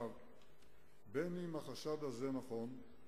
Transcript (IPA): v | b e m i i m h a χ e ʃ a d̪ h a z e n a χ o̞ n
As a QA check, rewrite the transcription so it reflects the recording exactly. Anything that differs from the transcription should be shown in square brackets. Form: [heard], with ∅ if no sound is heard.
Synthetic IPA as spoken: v | b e [n] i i m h a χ [a] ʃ a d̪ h a z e n a χ o̞ n